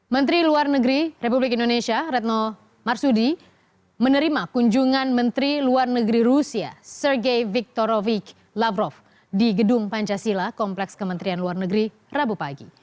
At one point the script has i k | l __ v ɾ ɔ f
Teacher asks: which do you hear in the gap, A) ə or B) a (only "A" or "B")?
B